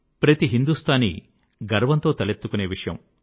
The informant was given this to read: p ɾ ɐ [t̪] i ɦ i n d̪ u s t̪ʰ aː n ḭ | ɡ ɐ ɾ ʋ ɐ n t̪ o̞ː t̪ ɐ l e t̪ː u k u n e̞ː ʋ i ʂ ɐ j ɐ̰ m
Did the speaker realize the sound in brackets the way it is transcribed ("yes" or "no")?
yes